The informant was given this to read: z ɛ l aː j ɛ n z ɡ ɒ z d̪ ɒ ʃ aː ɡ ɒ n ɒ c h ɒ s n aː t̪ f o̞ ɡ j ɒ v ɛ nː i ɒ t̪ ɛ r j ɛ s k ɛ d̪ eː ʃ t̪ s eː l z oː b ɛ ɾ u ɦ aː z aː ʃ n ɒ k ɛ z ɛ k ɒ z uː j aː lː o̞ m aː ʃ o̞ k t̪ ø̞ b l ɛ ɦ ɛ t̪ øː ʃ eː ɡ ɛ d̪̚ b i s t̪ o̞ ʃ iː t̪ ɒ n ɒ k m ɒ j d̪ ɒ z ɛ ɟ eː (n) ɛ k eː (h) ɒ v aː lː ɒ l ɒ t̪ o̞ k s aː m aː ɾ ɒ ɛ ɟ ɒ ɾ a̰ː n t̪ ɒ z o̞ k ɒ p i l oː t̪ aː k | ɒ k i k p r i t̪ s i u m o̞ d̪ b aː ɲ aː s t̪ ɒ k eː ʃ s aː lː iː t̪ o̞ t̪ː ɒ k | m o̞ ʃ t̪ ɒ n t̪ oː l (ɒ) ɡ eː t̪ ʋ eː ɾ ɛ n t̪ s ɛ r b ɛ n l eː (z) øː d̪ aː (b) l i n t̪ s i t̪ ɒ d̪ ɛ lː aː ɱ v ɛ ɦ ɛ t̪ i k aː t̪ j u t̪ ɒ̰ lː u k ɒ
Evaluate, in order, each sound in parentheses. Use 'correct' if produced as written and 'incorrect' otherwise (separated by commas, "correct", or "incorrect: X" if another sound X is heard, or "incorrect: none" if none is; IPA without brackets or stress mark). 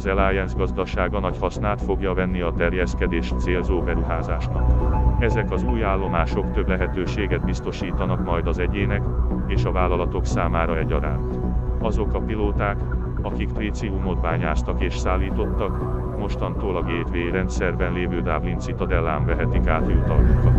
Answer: correct, incorrect: ʃ, correct, incorrect: v, correct